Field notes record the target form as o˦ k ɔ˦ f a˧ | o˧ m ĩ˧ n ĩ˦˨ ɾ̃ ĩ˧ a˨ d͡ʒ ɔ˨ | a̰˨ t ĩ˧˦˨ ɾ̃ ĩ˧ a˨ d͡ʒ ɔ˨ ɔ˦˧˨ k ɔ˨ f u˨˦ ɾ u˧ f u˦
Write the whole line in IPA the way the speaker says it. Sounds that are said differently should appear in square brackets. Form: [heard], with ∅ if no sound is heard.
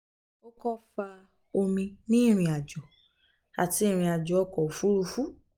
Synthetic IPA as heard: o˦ k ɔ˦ f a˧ | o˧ m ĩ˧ n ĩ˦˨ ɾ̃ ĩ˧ a˨ d͡ʒ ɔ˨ | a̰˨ t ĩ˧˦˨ ɾ̃ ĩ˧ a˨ d͡ʒ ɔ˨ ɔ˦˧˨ k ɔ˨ f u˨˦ ɾ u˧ f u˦